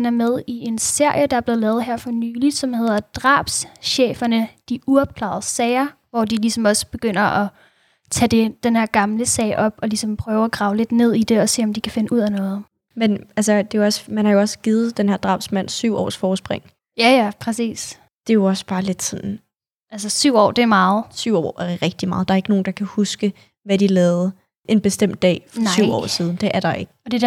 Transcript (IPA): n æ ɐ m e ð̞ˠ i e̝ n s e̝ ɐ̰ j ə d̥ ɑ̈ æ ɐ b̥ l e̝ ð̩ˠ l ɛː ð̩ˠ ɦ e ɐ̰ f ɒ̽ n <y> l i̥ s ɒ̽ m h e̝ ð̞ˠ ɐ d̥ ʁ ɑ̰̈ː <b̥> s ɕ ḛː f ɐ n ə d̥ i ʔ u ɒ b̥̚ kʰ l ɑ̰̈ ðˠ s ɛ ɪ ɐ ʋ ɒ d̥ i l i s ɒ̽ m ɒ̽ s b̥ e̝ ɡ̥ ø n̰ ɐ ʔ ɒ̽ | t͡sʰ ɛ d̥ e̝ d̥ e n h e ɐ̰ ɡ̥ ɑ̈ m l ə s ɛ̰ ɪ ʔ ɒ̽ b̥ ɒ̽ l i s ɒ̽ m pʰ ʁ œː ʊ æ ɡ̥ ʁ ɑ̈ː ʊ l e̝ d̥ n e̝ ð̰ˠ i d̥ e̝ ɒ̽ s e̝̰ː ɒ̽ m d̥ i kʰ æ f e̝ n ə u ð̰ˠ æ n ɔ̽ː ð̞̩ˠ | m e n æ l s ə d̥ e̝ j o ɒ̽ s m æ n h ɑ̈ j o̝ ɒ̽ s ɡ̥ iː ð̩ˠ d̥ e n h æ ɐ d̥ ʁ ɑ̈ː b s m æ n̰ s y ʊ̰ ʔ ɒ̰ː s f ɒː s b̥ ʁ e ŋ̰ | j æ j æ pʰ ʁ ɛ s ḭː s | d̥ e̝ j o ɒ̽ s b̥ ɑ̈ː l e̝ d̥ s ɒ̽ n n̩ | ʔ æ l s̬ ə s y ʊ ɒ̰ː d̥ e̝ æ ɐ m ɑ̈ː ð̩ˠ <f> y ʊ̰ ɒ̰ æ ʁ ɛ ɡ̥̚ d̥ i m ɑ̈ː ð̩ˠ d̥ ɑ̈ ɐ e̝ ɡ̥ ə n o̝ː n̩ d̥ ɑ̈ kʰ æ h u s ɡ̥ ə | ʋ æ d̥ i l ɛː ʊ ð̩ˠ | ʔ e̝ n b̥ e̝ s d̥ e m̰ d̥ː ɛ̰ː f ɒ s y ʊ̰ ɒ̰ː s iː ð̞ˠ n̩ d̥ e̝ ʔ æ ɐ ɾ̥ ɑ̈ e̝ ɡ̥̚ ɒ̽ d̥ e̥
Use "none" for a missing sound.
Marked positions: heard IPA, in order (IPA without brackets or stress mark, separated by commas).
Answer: yː, b̥, s